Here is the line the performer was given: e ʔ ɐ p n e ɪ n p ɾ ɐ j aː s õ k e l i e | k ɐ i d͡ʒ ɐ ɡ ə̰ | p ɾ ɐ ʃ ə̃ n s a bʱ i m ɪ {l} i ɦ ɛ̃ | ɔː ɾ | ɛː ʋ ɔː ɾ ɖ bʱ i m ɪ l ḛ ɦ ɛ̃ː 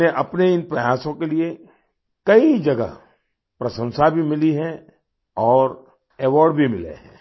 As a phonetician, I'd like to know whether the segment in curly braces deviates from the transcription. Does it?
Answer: no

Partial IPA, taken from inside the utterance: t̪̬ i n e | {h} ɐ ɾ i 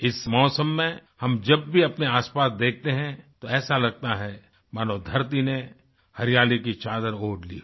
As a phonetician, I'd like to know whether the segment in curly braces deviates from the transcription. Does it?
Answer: no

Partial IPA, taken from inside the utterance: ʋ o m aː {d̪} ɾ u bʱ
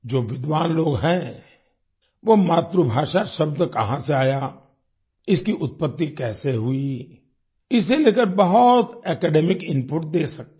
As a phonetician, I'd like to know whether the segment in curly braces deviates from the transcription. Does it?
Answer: yes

